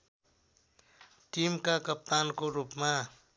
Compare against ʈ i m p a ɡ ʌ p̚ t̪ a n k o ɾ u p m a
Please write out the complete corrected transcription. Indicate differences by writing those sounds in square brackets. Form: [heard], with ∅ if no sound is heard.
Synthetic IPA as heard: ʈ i m [k] a [k] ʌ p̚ t̪ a n k o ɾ u p m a